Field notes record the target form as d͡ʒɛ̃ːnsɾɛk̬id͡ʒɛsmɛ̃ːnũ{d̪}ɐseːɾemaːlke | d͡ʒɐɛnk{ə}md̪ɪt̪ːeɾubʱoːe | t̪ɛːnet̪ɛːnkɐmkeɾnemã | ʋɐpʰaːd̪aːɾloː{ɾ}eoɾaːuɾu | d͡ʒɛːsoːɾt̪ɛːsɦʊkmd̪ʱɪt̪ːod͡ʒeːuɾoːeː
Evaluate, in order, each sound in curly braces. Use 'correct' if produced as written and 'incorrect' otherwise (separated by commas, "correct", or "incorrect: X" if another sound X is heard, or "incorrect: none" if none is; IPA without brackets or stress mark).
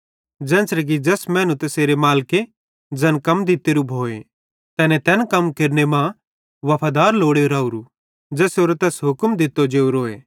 incorrect: t̪, incorrect: ɐ, incorrect: ɽ